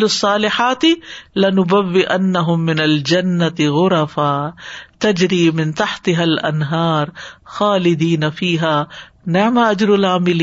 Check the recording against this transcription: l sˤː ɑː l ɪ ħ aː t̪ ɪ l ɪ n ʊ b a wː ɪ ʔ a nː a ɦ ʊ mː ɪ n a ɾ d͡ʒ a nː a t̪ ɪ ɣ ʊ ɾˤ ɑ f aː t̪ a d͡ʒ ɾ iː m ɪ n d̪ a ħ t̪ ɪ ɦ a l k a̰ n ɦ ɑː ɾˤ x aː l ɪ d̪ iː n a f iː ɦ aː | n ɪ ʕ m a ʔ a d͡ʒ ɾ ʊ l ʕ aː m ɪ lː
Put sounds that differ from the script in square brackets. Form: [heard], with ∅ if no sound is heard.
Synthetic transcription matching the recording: l sˤː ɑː l ɪ ħ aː t̪ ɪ l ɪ n ʊ b a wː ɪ ʔ a nː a ɦ ʊ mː ɪ n a [l] d͡ʒ a nː a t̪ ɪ ɣ ʊ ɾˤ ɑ f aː t̪ a d͡ʒ ɾ iː m ɪ n [t̪] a ħ t̪ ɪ ɦ a l [ʔ] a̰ n ɦ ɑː ɾˤ x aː l ɪ d̪ iː n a f iː ɦ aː | n ɪ ʕ m a ʔ a d͡ʒ ɾ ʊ l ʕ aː m ɪ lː